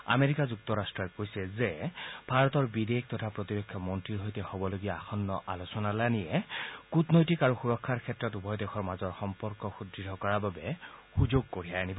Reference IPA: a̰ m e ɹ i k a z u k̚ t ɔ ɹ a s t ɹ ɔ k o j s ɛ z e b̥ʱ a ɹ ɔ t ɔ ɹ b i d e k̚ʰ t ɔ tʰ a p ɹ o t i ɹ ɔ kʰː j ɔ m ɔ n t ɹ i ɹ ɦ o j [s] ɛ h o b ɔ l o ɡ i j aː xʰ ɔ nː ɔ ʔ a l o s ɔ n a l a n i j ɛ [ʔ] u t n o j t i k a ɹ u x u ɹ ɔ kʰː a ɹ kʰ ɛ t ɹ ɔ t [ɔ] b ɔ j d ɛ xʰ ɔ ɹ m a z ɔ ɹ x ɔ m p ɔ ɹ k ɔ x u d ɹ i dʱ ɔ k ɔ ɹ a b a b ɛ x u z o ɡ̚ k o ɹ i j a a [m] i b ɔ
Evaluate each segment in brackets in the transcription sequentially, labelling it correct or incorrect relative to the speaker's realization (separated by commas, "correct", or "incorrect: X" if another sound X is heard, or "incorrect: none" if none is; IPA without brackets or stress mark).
incorrect: t, incorrect: k, incorrect: u, incorrect: n